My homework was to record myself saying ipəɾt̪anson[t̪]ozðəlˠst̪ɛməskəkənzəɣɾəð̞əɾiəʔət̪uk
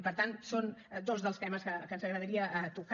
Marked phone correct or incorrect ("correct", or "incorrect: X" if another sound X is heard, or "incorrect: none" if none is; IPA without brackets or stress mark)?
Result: incorrect: d̪